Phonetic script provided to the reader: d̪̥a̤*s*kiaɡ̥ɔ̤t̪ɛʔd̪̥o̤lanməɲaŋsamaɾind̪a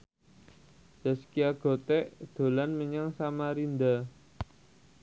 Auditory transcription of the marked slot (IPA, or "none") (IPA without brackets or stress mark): s